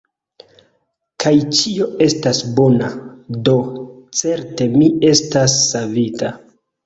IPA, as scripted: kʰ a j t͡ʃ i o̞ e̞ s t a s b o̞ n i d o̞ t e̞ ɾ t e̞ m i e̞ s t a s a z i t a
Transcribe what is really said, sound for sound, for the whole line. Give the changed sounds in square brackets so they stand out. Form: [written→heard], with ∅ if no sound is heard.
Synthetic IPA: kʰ a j t͡ʃ i o̞ e̞ s t a s b o̞ n [i→a] d o̞ [t→t͡s] e̞ ɾ t e̞ m i e̞ s t a [s→sː] a [z→v] i t a